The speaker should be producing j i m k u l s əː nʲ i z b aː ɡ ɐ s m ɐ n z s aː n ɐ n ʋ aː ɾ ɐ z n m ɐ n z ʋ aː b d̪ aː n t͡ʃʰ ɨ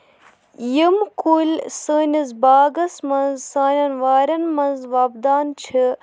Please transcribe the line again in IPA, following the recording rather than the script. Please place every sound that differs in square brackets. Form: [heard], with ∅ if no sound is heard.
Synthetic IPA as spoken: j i m k u l s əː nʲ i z b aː ɡ ɐ s m ɐ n z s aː n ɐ n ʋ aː ɾ ɐ [∅] n m ɐ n z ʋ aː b d̪ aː n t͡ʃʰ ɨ

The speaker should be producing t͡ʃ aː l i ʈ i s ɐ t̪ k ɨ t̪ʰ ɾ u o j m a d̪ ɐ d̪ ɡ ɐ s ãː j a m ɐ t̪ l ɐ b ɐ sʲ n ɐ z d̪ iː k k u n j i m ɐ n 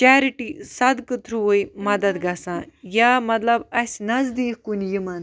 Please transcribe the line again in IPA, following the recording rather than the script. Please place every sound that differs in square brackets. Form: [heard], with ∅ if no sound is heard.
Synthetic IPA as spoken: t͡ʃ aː [ɾ] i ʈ i s ɐ [d̪] k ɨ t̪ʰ ɾ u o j m [ɐ] d̪ ɐ d̪ ɡ ɐ s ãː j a m ɐ t̪ l ɐ b ɐ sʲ n ɐ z d̪ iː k k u n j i m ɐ n

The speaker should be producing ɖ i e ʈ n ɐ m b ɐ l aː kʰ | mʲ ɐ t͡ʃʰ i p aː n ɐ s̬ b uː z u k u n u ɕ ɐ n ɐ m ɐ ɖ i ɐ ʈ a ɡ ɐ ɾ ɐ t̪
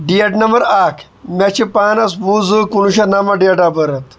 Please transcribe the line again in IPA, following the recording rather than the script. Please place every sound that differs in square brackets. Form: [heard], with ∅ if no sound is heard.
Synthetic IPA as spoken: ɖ i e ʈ n ɐ m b ɐ [ɾ] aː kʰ | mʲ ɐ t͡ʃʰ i p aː n ɐ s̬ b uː z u k u n u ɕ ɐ n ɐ m ɐ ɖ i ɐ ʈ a [b] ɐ ɾ ɐ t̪

